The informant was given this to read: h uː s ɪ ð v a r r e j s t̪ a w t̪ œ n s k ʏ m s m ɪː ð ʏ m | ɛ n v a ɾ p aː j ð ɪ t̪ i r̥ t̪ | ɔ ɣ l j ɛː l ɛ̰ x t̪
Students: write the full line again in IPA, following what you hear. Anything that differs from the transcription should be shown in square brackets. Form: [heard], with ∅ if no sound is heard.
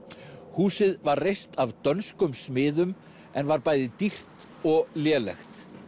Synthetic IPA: h uː s ɪ ð v a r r e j s t̪ a [v] t̪ œ n s k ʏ m s m ɪː ð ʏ m | ɛ n v a ɾ p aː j ð ɪ t̪ i r̥ t̪ | ɔ ɣ l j ɛː l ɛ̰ x t̪